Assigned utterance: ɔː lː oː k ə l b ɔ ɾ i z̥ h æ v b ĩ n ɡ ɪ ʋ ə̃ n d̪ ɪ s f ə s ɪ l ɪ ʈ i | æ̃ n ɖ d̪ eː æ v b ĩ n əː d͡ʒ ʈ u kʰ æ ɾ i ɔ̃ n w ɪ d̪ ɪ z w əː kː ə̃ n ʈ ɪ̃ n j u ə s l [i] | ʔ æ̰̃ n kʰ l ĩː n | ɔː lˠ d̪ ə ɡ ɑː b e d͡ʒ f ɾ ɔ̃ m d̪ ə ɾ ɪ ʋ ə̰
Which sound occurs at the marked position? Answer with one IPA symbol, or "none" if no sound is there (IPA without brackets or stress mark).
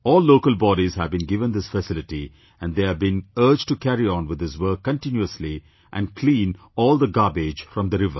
i